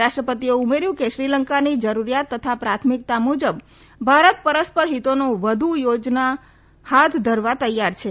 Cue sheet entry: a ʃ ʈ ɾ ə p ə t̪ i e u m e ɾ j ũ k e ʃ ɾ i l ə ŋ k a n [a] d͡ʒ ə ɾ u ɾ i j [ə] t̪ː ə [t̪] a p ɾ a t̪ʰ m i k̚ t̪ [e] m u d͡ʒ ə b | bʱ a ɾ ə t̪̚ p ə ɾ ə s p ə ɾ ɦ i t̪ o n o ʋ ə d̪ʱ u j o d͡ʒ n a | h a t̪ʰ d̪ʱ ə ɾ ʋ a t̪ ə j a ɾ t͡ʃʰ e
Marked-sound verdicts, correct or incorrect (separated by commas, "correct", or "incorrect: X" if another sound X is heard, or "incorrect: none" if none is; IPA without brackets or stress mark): incorrect: i, incorrect: a, incorrect: t̪ʰ, incorrect: a